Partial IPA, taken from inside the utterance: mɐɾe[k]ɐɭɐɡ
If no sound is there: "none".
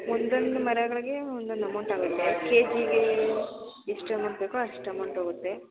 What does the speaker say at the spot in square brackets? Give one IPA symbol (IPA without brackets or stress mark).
ɡ